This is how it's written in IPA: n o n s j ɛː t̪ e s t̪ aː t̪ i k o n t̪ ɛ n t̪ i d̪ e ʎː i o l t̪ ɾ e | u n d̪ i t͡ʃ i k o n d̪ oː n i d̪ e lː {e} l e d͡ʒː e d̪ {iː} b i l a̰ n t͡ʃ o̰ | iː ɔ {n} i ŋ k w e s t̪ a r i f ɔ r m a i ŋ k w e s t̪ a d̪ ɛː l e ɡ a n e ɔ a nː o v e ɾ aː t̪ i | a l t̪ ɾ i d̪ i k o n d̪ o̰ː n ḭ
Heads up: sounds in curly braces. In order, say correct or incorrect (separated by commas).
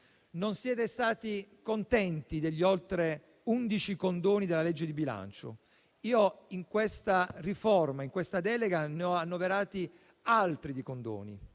incorrect, incorrect, incorrect